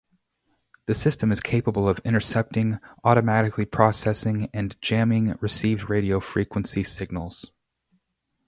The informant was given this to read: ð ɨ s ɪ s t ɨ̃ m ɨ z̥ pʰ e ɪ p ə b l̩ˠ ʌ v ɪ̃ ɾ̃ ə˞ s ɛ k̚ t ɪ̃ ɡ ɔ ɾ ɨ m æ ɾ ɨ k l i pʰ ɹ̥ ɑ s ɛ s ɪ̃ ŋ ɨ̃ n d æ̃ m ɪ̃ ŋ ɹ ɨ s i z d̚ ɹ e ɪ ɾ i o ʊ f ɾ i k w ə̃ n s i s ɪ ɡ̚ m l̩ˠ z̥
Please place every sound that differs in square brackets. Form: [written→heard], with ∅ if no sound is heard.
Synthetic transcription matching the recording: ð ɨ s ɪ s t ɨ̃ m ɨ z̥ [pʰ→kʰ] e ɪ p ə b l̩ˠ ʌ v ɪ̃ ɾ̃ ə˞ s ɛ [k̚→p̚] t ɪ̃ [ɡ→ŋ] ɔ ɾ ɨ m æ ɾ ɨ k l i pʰ ɹ̥ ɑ s ɛ s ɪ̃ ŋ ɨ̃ n [d→d͡ʒ] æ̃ m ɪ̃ ŋ ɹ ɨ s i [z→v] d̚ ɹ e ɪ ɾ i o ʊ f [ɾ→ɹ] i k w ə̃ n s i s ɪ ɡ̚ [m→n] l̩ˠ z̥

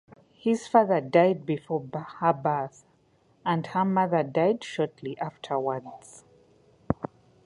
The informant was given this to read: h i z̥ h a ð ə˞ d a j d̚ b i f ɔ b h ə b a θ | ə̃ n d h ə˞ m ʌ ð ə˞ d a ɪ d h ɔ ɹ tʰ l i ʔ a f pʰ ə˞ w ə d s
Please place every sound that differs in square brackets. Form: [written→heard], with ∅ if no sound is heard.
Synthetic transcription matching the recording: h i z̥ [h→f] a ð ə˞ d a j d̚ b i f ɔ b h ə b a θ | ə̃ n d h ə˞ m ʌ ð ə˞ d a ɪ d [h→ʃ] ɔ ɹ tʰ l i ʔ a f [pʰ→tʰ] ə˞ w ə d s

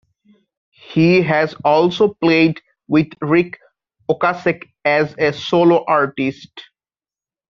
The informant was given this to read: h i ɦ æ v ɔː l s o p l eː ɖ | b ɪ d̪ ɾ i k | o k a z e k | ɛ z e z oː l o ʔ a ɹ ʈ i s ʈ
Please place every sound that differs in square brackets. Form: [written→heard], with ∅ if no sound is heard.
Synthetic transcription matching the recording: h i ɦ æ [v→z] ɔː l s o p l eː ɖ | [b→w] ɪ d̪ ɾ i k | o k a [z→s] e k | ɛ z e [z→s] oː l o ʔ a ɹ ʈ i s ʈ

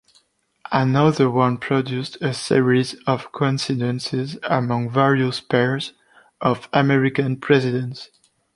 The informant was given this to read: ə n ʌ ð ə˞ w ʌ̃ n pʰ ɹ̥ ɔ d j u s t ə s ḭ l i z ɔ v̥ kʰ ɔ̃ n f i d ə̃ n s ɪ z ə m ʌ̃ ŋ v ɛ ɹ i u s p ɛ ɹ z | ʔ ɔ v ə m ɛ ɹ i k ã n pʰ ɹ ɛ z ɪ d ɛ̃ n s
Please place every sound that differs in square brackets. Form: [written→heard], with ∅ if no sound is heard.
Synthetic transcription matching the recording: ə n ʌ ð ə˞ w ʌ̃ n pʰ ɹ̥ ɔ d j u s t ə s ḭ [l→ɹ] i z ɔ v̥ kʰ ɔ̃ n [f→s] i d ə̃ n s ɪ z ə m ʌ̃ ŋ v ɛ ɹ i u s p ɛ ɹ z | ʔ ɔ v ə m ɛ ɹ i k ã n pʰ ɹ ɛ z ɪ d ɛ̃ n s

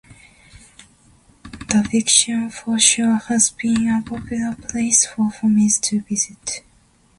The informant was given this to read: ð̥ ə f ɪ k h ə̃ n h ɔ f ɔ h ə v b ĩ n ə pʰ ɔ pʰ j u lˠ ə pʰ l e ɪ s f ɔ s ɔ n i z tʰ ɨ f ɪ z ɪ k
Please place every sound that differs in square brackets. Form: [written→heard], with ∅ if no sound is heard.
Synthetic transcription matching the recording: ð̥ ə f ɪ k [h→ʃ] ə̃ n [h→f] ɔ [f→ʃ] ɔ h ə [v→z] b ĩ n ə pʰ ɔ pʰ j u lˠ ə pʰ l e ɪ s f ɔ [s→f] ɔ [n→m] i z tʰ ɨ [f→v] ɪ z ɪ [k→t]

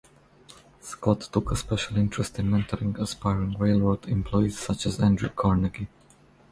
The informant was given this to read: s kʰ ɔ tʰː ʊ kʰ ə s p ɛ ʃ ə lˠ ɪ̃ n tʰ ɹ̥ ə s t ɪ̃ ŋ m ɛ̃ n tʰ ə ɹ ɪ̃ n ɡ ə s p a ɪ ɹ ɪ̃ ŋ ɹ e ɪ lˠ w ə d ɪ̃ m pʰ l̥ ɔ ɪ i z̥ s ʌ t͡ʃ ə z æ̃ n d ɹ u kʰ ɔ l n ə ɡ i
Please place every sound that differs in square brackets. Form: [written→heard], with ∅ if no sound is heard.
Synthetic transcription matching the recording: s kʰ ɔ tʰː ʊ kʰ ə s p ɛ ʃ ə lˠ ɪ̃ n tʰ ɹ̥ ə s t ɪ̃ [ŋ→n] m ɛ̃ n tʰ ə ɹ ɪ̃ [n→ŋ] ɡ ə s p a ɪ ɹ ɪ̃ ŋ ɹ e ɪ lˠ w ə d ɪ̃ m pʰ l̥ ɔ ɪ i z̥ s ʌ t͡ʃ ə z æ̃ n d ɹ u kʰ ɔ [l→ɹ] n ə ɡ i

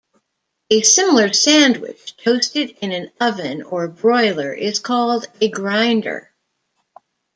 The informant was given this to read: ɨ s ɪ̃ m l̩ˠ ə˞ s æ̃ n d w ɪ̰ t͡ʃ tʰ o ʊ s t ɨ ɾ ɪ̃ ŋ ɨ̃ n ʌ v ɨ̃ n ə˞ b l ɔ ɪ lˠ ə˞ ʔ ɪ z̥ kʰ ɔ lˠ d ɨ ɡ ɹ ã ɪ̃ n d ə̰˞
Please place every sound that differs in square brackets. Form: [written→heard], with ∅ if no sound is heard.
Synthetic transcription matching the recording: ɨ s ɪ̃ m l̩ˠ ə˞ s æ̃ n d w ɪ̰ t͡ʃ tʰ o ʊ s t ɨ ɾ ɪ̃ [ŋ→n] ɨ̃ n ʌ v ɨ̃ n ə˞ b [l→ɹ] ɔ ɪ lˠ ə˞ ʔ ɪ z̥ kʰ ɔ lˠ d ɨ ɡ ɹ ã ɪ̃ n d ə̰˞

